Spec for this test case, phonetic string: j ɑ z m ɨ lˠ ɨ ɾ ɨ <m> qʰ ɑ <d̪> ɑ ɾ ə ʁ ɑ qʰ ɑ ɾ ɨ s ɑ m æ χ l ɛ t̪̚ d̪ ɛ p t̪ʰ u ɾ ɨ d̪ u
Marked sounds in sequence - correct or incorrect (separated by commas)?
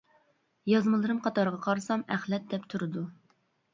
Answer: correct, incorrect